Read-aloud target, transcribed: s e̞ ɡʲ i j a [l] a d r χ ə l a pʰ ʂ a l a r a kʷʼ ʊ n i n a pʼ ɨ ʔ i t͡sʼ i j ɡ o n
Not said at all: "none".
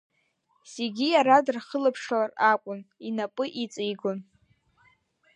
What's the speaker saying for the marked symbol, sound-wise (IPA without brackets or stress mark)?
ɾ